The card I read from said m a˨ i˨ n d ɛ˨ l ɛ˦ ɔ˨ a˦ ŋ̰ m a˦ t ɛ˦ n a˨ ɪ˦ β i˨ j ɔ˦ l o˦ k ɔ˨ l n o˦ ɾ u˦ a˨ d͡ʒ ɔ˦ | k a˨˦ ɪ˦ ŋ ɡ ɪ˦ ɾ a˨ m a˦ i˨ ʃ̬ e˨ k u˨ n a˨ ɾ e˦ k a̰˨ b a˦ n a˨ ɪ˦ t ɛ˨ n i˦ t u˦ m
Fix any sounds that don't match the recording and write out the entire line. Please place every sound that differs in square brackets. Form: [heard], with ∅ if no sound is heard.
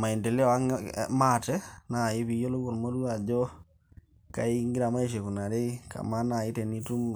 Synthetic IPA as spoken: m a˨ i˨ n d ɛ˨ l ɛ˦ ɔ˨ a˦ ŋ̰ m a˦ t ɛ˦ n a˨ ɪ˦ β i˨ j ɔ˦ l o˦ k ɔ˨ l [m] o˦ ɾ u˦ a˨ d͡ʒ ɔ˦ | k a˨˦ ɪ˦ ŋ ɡ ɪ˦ ɾ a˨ m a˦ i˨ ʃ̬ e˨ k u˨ n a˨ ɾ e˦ k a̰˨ [m] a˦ n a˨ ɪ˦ t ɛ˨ n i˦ t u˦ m